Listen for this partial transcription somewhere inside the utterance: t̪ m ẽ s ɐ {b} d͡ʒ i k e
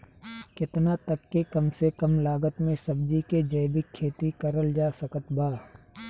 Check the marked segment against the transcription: correct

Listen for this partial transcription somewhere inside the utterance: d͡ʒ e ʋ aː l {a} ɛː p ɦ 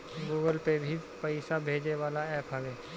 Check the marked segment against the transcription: correct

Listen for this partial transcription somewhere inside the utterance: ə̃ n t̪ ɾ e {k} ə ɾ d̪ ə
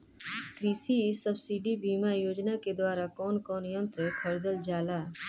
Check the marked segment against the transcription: incorrect: kʰ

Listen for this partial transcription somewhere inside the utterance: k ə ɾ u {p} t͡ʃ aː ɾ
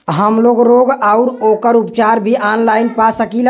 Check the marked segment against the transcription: correct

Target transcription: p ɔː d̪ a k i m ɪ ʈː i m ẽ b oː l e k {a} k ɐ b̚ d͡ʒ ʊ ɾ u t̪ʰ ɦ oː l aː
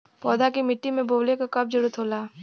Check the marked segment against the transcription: correct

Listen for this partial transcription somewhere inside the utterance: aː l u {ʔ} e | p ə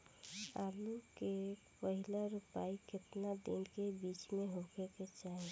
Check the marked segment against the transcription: incorrect: k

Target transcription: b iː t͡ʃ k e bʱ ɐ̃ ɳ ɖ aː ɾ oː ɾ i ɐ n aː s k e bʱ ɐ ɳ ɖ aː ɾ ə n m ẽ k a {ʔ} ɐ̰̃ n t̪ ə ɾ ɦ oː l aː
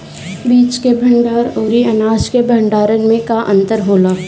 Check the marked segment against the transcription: correct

